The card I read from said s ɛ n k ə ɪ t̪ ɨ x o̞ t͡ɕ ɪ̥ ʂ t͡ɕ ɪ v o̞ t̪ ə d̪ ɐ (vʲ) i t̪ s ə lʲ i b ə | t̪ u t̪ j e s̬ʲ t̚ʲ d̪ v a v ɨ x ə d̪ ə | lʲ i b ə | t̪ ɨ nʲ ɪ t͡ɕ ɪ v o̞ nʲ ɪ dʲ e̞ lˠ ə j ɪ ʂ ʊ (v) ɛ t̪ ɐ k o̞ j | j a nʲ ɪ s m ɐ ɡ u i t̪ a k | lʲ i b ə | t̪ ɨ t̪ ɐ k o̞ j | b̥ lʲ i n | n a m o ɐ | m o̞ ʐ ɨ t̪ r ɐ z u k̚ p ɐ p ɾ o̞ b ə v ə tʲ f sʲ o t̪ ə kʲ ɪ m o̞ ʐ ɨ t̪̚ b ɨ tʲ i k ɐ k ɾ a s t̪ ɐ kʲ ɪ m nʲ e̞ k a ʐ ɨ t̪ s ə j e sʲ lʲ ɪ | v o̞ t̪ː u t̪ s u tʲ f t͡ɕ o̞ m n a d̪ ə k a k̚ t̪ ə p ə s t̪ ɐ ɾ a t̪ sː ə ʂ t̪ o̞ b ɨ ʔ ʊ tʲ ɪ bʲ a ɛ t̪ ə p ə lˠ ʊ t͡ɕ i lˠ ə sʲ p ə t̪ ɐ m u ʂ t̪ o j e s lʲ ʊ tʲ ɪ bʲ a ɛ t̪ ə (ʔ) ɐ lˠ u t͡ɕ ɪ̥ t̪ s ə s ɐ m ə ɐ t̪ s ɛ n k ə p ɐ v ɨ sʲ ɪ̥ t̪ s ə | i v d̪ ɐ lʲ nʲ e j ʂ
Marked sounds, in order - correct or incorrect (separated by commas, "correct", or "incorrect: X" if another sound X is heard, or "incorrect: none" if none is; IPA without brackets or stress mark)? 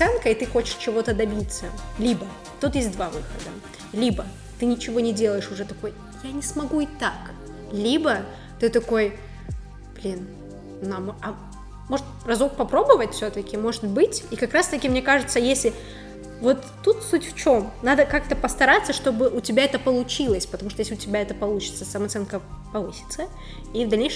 incorrect: bʲ, incorrect: ʐ, incorrect: p